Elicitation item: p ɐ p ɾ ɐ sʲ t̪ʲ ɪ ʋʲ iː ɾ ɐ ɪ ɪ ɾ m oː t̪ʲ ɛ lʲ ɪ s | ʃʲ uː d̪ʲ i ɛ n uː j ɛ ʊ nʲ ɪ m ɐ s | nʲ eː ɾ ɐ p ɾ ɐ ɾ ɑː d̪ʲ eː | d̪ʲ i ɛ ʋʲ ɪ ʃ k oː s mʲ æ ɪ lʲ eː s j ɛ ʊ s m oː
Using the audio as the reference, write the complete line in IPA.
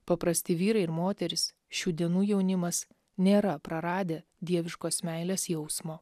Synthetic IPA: p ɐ p ɾ ɐ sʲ t̪ʲ ɪ ʋʲ iː ɾ ɐ ɪ ɪ ɾ m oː t̪ʲ ɛ ɾʲ ɪ s | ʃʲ uː d̪ʲ i ɛ n uː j ɛ ʊ nʲ ɪ m ɐ s | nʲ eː ɾ ɐ p ɾ ɐ ɾ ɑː d̪ʲ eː | d̪ʲ i ɛ ʋʲ ɪ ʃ k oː s mʲ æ ɪ lʲ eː s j ɛ ʊ s m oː